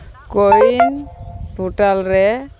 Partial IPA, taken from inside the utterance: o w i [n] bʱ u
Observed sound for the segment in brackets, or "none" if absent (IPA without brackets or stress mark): n